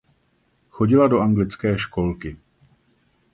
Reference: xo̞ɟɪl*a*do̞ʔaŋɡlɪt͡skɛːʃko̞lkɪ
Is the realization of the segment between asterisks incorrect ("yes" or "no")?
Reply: no